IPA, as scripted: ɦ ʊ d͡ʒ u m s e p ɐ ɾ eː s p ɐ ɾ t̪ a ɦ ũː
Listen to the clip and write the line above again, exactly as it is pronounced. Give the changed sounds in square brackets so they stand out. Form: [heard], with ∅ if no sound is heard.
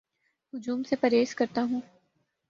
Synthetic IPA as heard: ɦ ʊ d͡ʒ [uː] m s e p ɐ ɾ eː s [k] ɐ ɾ t̪ a ɦ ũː